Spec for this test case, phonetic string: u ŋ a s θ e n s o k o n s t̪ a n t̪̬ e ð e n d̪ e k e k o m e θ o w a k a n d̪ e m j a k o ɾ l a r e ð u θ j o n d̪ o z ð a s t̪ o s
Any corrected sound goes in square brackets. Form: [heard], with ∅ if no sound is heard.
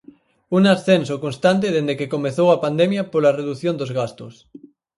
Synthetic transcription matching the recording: u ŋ a s θ e n s o k o n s t̪ a n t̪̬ e ð e n d̪ e k e k o m e θ o w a [p] a n d̪ e m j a [p] o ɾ l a r e ð u θ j o n d̪ o z [ɣ] a s t̪ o s